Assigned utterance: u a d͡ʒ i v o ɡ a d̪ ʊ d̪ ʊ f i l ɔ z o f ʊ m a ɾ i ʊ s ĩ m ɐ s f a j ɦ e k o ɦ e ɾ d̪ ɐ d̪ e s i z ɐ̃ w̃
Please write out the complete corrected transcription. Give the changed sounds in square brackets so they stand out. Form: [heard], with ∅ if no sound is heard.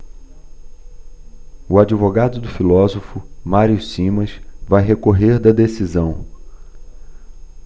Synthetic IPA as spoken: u a d͡ʒ i v o ɡ a d̪ ʊ d̪ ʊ f i l ɔ z o f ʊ m a ɾ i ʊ s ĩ m ɐ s [v] a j ɦ e k o ɦ e ɾ d̪ ɐ d̪ e s i z ɐ̃ w̃